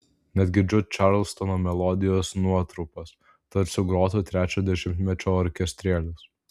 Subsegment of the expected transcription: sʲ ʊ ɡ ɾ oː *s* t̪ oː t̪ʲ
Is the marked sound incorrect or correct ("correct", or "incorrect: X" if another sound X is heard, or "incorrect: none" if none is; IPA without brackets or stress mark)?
incorrect: none